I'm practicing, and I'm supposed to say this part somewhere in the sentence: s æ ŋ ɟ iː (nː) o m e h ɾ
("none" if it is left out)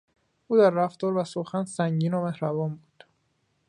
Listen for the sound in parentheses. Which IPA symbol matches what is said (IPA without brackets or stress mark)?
n